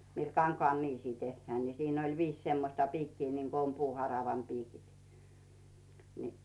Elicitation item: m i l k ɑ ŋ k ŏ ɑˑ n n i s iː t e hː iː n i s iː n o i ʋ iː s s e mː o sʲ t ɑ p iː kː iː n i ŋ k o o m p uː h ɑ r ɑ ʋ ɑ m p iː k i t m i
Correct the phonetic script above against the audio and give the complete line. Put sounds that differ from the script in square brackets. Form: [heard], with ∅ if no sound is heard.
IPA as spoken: m i l k ɑ ŋ k ŏ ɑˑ n n [iː] s iː t e hː [æː] n i s iː n o i ʋ iː s s e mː o sʲ t ɑ p iː kː iː n i ŋ k o o m p uː h ɑ r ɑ ʋ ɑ m p iː k i t [n] i